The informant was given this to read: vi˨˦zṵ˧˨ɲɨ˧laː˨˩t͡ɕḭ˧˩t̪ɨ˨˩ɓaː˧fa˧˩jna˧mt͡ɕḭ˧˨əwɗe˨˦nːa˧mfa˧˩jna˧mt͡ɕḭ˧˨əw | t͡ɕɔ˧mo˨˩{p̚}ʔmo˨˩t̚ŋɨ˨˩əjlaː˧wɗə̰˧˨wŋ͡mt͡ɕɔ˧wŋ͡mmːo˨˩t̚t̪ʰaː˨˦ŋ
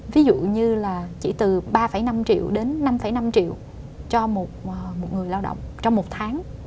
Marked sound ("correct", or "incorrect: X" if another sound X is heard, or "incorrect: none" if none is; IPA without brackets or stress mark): incorrect: t̚